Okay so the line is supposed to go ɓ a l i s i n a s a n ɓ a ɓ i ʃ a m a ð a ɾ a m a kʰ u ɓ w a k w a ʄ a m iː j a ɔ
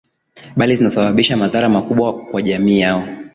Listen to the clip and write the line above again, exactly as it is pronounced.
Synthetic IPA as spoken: ɓ a l i z i n a s a ɓ a ɓ i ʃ a m a ð a ɾ a m a k u ɓ w a k w a ʄ a m iː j a ɔ